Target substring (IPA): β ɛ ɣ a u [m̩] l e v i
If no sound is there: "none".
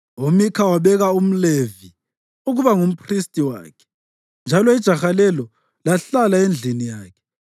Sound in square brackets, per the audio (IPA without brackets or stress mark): m̩